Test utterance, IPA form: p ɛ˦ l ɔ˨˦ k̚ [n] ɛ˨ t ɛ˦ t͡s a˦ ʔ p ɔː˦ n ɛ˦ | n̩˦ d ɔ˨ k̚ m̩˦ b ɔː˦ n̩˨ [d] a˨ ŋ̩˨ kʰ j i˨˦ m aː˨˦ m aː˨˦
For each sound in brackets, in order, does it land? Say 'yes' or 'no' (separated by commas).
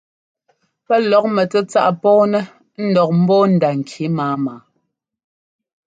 no, yes